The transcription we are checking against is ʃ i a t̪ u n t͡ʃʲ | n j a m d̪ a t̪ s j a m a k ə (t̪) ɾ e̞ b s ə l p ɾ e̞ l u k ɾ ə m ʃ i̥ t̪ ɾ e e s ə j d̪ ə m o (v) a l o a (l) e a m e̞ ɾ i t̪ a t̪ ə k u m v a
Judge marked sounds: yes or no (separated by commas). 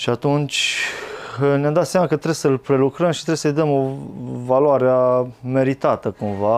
yes, yes, no